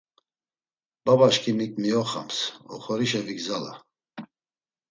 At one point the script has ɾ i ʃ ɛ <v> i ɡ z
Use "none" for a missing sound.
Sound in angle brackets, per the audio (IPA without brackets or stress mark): v